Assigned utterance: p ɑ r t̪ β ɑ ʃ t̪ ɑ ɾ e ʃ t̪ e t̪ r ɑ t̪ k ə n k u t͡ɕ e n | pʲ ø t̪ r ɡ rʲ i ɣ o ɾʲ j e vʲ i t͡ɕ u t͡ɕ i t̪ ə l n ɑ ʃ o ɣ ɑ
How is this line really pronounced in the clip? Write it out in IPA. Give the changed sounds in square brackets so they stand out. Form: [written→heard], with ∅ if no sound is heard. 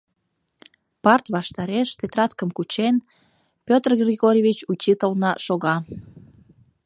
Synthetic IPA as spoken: p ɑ r t̪ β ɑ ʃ t̪ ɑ ɾ e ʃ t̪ e t̪ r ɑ t̪ k ə [n→m] k u t͡ɕ e n | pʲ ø t̪ r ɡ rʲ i ɣ o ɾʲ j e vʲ i t͡ɕ u t͡ɕ i t̪ ə l n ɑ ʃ o ɣ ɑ

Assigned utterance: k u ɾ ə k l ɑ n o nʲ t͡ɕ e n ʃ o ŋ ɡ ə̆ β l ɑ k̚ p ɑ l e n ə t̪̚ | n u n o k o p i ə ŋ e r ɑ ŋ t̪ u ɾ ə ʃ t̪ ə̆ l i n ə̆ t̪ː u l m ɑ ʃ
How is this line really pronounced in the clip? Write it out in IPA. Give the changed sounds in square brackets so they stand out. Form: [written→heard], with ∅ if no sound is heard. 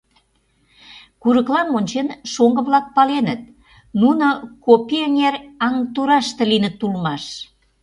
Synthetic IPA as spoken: k u ɾ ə k l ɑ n o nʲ t͡ɕ e n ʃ o ŋ ɡ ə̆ β l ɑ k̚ p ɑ l e n ə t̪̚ | n u n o k o p i ə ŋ e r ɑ ŋ t̪ u ɾ [ə→ɑ] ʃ t̪ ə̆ l i n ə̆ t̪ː u l m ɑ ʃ

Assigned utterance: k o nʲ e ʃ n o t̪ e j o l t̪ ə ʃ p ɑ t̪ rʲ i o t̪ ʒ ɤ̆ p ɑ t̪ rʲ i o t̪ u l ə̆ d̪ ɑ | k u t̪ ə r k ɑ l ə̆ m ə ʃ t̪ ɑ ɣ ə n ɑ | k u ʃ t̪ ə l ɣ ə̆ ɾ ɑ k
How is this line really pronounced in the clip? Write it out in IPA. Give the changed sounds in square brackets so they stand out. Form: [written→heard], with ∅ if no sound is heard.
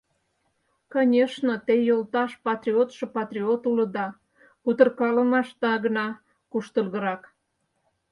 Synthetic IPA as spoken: k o nʲ e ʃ n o t̪ e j o l t̪ [ə→ɑ] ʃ p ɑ t̪ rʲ i o t̪ [ʒ→ʃ] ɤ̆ p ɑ t̪ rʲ i o t̪ u l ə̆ d̪ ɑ | k u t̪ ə r k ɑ l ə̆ m [ə→ɑ] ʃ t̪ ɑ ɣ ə n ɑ | k u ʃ t̪ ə l ɣ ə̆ ɾ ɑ k

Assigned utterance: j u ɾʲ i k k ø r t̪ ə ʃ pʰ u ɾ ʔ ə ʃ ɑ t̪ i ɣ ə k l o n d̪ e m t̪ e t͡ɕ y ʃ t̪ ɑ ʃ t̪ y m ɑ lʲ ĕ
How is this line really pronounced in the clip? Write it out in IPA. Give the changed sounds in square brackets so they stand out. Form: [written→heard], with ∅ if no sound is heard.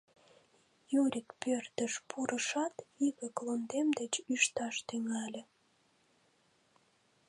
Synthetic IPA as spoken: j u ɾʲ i k [k→p] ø r t̪ ə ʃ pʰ u ɾ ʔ ə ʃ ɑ t̪ i ɣ ə k l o n d̪ e m [t̪→d̪] e t͡ɕ y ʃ t̪ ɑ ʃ t̪ y [m→ŋ] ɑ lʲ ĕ

